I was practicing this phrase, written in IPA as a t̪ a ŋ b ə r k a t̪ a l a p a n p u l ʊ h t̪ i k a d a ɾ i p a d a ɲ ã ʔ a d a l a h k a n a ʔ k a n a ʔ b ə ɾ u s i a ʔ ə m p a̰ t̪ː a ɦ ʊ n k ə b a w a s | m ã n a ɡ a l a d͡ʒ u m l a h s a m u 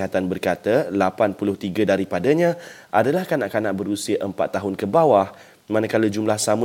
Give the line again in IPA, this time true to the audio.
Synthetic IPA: a t̪ a n b ə r k a t̪ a l a p a n p u l ʊ h t̪ i ɡ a d a ɾ i p a d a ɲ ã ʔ a d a l a h k a n a ʔ k a n a ʔ b ə ɾ u s i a ʔ ə m p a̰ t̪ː a ɦ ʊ n k ə b a w a h | m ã n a k a l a d͡ʒ u m l a h s a m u